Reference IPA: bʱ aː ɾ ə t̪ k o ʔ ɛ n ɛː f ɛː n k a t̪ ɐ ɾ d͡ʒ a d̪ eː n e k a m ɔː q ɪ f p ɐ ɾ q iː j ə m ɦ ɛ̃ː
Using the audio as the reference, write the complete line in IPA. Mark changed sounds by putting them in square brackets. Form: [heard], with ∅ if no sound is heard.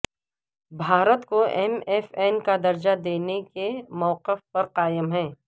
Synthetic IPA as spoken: bʱ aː ɾ ə t̪ k o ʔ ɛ [m] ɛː f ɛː n k a [d̪] ɐ ɾ d͡ʒ a d̪ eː n e k [e] m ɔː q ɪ f p ɐ ɾ q [aː] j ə m ɦ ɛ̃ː